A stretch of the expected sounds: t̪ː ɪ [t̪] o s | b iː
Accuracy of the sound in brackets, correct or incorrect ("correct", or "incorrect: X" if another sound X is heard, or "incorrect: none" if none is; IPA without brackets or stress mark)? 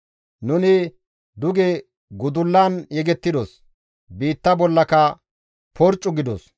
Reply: incorrect: d̪